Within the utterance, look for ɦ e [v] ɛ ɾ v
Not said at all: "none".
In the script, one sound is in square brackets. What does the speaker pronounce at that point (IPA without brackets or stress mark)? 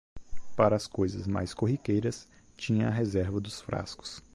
z